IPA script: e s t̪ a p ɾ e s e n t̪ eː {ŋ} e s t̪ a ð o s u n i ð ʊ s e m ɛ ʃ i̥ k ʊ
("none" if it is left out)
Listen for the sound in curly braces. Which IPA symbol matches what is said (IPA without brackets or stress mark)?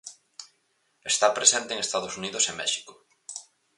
ŋ